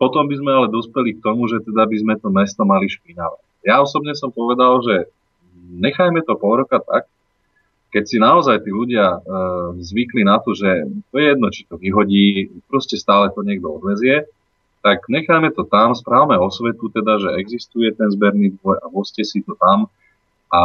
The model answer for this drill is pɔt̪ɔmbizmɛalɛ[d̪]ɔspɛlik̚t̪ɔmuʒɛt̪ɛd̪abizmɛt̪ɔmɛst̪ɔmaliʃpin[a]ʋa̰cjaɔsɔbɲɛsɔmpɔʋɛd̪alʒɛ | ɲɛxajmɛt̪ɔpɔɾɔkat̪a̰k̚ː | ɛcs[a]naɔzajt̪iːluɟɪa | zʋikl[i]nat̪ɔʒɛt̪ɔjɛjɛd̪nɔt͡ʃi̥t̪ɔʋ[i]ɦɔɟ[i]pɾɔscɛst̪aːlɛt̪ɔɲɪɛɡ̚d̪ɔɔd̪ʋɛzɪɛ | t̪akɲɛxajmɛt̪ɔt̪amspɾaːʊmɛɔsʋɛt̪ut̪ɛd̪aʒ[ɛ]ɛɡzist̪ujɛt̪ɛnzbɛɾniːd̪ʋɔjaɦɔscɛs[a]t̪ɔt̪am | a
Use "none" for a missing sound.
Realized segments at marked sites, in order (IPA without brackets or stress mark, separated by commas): d̪, a, i, i, i, iː, ɛ, i